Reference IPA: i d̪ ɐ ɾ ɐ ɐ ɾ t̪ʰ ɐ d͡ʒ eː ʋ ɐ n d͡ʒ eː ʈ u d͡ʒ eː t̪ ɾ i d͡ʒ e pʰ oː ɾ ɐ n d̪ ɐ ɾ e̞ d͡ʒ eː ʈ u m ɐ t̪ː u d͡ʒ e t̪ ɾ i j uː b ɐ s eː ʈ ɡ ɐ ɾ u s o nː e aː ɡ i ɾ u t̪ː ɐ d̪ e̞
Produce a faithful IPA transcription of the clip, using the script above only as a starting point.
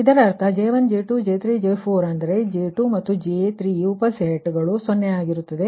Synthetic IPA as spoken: i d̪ ɐ ɾ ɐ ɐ ɾ t̪ʰ ɐ d͡ʒ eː ʋ ɐ n d͡ʒ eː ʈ u d͡ʒ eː t̪ ɾ i d͡ʒ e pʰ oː ɾ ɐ n d̪ ɐ ɾ e̞ d͡ʒ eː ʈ u m ɐ t̪ː u d͡ʒ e t̪ ɾ i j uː p ɐ s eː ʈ ɡ ɐ ɭ u s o nː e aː ɡ i ɾ u t̪ː ɐ d̪ e̞

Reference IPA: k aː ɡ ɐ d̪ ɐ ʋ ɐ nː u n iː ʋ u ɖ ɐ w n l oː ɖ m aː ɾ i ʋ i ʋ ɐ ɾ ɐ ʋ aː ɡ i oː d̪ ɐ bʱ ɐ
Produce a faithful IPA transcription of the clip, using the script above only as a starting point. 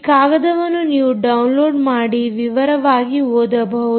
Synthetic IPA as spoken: k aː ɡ ɐ d̪ ɐ ʋ ɐ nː u n iː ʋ u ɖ ɐ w n l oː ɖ m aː ɽ i ʋ i ʋ ɐ ɾ ɐ ʋ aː ɡ i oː d̪ ɐ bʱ ɐ

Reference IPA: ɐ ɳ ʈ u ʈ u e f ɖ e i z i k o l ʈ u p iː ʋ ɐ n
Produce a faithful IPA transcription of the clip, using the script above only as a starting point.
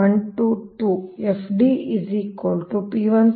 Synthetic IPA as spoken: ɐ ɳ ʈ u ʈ u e f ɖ i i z i k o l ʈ u p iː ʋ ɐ n

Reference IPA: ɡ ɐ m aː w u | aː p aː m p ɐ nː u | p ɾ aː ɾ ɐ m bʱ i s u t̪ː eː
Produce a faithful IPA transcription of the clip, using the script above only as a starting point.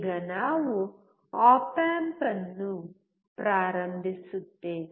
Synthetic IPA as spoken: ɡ ɐ n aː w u | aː p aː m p ɐ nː u | p ɾ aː ɾ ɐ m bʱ i s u t̪ː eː

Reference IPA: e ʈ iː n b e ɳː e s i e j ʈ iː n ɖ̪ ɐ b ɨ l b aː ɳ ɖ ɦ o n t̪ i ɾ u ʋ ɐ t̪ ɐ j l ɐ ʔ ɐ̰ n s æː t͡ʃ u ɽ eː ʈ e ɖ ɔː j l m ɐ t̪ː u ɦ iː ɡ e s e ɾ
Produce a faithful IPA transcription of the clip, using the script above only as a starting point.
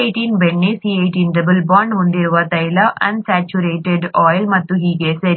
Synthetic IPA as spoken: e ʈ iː n b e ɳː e s i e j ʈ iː n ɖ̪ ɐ b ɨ l b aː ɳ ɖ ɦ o n d̪ i ɾ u ʋ ɐ t̪ ɐ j l ɐ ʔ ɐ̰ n s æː t͡ʃ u ɾ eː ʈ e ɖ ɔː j l m ɐ t̪ː u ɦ iː ɡ e s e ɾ

